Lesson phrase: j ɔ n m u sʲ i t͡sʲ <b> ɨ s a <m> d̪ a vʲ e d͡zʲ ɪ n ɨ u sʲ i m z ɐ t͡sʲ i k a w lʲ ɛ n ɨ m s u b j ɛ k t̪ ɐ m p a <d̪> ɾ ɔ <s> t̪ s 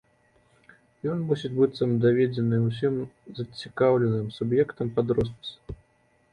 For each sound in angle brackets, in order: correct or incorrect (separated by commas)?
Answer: correct, correct, correct, correct